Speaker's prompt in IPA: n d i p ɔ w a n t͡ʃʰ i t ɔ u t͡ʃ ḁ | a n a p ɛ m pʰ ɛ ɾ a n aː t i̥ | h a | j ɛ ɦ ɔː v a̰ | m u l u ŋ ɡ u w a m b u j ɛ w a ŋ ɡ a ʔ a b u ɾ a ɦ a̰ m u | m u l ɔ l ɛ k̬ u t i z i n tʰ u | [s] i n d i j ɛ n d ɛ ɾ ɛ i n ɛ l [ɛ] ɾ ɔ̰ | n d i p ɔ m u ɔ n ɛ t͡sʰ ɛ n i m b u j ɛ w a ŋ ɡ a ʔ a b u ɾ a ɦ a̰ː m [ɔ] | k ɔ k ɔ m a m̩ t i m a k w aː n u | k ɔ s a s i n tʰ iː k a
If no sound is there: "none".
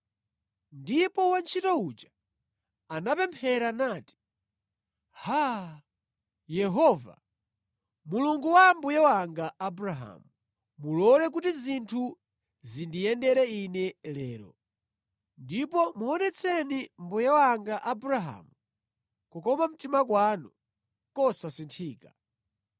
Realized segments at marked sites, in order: z, ɛː, u

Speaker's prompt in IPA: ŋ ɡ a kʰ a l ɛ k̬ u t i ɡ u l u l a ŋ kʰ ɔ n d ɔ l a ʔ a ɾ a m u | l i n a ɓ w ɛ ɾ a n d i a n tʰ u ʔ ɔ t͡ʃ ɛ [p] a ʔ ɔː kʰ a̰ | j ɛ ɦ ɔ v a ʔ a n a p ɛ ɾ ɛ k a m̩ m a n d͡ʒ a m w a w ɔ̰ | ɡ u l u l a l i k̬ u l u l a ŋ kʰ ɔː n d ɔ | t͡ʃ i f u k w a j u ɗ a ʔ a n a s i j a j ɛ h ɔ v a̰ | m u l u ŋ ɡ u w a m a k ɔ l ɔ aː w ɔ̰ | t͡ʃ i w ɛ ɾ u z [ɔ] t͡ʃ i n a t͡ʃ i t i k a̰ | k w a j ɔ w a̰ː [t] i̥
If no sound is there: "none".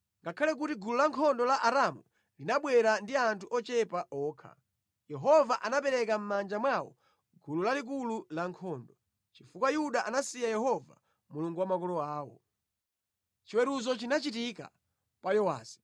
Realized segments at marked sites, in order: p, ɔ, s

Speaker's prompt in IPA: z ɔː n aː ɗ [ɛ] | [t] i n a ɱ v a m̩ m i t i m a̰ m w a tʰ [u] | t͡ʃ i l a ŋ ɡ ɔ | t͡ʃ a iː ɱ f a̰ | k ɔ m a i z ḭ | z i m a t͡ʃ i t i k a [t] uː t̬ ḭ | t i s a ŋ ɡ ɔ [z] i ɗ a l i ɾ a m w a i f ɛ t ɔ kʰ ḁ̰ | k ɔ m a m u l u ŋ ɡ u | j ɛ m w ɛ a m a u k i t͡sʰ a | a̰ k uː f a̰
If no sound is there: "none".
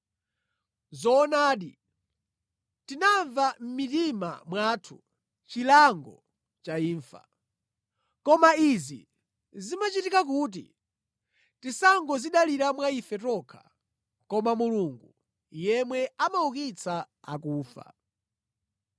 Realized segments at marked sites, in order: i, t, u, k, z

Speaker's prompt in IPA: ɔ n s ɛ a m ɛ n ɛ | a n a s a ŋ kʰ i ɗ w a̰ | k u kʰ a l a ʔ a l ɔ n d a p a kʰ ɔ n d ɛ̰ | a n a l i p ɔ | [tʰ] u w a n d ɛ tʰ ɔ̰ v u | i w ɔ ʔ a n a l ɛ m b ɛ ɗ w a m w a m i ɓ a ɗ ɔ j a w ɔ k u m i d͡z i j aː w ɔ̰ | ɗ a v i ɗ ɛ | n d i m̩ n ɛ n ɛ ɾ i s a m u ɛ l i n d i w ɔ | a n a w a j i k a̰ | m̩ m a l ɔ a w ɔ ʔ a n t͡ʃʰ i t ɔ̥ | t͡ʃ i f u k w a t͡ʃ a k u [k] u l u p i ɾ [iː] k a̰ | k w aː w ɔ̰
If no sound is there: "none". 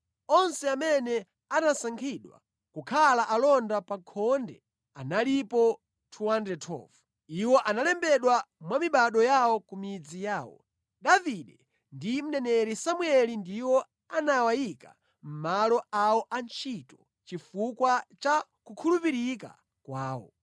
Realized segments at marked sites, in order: tʰ, kʰ, i

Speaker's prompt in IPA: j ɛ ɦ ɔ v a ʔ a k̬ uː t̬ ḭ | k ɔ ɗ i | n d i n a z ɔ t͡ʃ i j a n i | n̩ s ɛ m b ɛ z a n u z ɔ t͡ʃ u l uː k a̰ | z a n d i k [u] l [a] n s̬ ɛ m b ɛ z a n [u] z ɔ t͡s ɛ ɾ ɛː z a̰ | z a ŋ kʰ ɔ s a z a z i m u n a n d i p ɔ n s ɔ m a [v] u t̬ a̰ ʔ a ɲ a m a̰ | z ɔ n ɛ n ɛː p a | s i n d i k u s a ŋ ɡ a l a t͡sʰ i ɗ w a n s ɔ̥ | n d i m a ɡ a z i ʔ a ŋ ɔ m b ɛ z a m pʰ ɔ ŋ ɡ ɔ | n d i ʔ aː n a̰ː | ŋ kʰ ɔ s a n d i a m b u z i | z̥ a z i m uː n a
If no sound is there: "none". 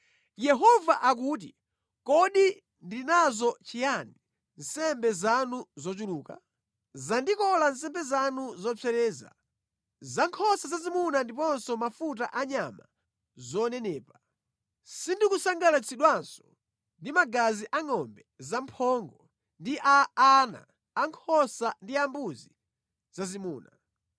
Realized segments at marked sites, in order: ɔ, a, u, f

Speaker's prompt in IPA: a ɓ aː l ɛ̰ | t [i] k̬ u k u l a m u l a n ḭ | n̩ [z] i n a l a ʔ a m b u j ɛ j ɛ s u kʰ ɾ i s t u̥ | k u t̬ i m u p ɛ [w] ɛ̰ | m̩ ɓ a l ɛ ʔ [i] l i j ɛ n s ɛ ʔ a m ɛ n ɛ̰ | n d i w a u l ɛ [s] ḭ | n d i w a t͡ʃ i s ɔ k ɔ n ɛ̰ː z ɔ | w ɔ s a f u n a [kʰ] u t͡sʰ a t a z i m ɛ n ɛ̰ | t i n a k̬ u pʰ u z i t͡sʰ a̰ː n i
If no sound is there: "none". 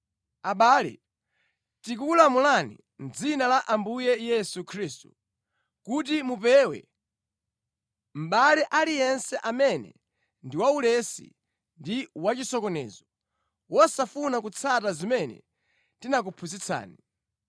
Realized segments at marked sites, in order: i, d͡z, w, a, s, k

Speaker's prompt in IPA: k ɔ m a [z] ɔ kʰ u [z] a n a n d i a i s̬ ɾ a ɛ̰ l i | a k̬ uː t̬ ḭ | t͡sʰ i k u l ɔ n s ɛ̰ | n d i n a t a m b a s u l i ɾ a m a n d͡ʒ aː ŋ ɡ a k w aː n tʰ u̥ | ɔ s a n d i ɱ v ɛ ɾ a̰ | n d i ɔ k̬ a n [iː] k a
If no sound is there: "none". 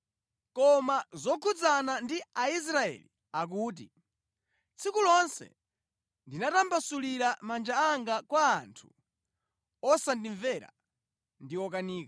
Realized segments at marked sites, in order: z, d͡z, iː

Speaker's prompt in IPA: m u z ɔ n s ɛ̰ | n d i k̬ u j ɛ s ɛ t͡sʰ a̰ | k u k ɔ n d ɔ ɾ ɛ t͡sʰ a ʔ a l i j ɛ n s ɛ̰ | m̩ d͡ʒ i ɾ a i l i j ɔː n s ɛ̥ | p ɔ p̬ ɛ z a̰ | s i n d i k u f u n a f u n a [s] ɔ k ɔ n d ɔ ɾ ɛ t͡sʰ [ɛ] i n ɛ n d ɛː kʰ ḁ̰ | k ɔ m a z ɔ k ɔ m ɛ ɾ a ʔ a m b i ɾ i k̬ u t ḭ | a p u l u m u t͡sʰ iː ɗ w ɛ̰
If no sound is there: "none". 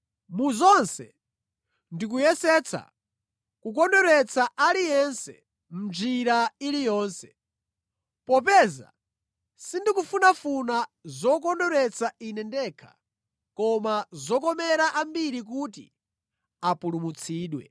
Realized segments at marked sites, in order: z, a

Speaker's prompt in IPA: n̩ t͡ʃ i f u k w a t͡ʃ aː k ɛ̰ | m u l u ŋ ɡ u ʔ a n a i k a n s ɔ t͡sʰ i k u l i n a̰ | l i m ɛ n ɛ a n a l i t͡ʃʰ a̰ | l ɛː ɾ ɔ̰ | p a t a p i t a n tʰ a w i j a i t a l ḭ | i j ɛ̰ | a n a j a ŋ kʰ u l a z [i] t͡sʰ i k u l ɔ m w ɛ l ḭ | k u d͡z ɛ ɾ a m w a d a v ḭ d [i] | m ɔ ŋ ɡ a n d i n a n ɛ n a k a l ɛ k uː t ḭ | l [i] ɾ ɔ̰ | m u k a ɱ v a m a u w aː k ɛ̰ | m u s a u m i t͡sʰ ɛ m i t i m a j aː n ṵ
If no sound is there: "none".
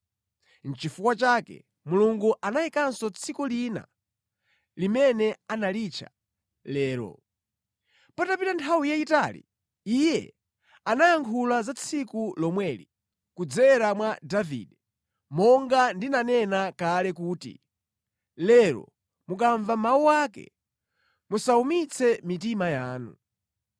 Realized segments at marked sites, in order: a, ɛ, ɛ

